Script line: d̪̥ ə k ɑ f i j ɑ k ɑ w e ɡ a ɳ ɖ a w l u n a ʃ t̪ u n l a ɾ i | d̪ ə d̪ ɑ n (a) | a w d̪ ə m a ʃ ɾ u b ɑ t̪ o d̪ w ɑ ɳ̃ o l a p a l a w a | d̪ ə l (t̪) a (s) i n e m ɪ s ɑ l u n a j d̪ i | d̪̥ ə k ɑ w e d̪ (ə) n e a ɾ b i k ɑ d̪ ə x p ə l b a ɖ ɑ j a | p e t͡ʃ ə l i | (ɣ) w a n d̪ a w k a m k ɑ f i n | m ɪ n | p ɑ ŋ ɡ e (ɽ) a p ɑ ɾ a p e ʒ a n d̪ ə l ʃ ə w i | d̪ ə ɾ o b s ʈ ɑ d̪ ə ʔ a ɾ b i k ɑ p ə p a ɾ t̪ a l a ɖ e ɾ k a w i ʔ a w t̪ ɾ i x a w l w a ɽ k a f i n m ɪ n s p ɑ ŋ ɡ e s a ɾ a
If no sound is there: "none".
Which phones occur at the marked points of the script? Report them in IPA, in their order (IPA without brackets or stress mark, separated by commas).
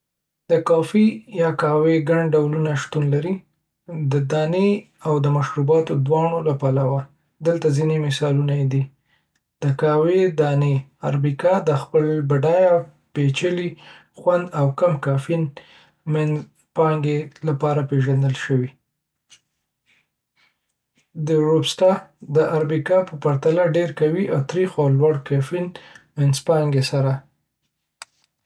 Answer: e, t̪, z, ɑ, x, l